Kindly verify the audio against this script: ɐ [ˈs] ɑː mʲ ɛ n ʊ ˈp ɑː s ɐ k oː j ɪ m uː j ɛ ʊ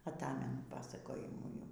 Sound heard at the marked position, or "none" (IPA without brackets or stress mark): t